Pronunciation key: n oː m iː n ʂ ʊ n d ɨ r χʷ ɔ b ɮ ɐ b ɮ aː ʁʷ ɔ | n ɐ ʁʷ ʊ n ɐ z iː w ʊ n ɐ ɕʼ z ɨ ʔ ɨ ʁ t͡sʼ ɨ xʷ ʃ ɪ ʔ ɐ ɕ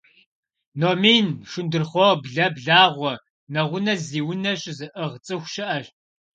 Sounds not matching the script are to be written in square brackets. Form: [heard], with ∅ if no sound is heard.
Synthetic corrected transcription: n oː m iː n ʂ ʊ n d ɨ r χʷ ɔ b ɮ ɐ b ɮ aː ʁʷ ɔ | n ɐ ʁʷ ʊ n ɐ z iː w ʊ n ɐ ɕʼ z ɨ ʔ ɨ ʁ t͡sʼ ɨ xʷ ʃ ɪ ʔ ɐ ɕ